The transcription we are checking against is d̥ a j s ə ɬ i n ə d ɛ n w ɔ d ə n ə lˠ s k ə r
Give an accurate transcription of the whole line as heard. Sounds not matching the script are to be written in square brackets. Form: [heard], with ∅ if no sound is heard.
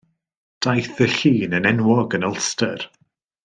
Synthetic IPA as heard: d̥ a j [θ] ə ɬ [iː] n ə [n] ɛ n w ɔ [ɡ] ə n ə lˠ s [t] ə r